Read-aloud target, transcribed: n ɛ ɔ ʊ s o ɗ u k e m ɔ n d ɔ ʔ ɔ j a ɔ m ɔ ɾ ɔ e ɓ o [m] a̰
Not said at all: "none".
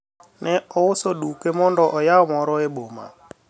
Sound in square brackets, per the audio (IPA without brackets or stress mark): m